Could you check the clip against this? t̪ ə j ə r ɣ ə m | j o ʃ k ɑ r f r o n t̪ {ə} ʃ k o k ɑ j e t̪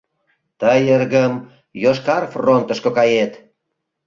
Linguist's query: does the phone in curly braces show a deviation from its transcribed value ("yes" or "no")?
no